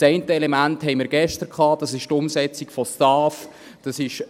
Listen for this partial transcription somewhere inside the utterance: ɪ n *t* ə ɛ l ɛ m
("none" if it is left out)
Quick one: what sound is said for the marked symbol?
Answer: t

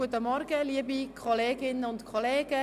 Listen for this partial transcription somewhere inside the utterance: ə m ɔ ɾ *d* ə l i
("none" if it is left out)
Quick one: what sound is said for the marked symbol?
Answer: ɡ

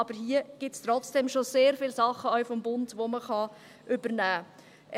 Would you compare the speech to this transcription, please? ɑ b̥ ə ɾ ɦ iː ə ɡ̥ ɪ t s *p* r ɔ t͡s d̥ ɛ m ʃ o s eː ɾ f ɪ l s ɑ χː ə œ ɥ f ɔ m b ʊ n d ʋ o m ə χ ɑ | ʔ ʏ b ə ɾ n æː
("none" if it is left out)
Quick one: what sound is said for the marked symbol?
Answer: t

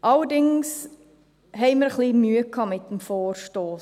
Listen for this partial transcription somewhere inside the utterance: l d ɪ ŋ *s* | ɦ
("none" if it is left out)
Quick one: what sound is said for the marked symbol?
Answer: s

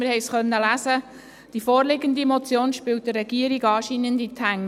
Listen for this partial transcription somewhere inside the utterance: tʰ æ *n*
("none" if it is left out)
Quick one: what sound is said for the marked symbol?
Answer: ŋ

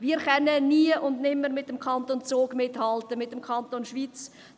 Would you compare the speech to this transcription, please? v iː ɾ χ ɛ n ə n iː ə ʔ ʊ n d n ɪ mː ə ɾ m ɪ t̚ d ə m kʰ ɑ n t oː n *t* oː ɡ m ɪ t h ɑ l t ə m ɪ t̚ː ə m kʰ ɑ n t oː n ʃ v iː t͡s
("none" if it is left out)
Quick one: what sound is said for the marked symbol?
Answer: t͡s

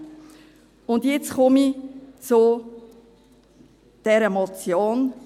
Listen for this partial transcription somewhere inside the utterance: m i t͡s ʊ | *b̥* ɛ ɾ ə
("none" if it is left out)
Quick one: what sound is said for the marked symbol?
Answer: d̥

